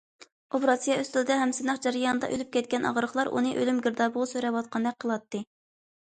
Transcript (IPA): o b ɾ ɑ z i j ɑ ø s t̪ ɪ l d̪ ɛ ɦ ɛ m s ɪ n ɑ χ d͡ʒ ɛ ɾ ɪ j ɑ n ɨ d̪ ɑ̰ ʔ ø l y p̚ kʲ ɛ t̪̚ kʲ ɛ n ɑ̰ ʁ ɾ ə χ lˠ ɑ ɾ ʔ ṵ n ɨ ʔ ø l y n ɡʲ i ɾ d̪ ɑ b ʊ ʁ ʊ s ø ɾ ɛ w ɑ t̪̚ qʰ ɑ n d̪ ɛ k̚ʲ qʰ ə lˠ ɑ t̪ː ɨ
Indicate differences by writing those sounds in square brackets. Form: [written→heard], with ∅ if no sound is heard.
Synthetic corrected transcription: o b ɾ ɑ [z→s] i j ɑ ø s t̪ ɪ l d̪ ɛ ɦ ɛ m s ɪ n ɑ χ d͡ʒ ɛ ɾ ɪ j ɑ n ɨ d̪ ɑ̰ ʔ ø l y p̚ kʲ ɛ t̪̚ kʲ ɛ n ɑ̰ ʁ ɾ ə χ lˠ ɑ ɾ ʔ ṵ n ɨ ʔ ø l y [n→m] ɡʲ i ɾ d̪ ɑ b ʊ ʁ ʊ s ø ɾ ɛ w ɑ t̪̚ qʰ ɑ n d̪ ɛ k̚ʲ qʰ ə lˠ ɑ t̪ː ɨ